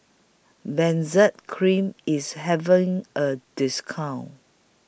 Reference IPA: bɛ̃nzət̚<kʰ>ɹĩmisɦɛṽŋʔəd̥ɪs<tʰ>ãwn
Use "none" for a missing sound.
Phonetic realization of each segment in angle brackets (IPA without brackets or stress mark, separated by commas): kʰ, kʰ